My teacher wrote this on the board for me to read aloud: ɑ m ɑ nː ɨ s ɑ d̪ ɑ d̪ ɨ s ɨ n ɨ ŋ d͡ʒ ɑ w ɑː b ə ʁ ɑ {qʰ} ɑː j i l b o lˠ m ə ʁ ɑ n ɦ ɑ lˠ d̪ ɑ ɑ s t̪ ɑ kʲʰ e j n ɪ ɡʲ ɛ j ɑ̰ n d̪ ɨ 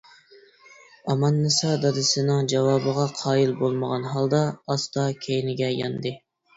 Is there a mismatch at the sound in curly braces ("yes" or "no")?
no